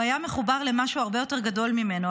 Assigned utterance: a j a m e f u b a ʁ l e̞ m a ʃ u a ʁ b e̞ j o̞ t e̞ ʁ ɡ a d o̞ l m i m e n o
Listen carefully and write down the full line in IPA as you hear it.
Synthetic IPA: a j a m e χ u b a ʁ l e̞ m a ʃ u a ʁ b e̞ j o̞ t e̞ ʁ ɡ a d o̞ l m i m e n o